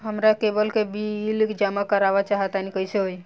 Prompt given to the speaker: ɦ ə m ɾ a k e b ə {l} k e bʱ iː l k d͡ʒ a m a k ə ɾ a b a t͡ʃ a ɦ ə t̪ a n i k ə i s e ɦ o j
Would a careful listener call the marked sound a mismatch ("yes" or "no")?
no